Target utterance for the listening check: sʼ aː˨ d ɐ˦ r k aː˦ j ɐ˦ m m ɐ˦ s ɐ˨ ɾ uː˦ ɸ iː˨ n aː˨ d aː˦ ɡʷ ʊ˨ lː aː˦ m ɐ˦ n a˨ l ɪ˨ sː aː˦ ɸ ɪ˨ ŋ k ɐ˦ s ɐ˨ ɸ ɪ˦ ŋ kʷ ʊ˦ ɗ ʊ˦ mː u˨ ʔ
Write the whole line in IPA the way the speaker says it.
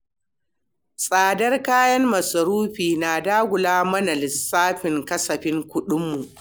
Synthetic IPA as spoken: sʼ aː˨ d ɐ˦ r k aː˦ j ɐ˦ m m ɐ˨ s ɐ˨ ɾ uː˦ ɸ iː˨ n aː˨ d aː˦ ɡʷ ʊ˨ l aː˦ m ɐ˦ n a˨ l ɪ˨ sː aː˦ ɸ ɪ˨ ŋ k ɐ˦ s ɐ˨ ɸ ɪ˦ ŋ kʷ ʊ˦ ɗ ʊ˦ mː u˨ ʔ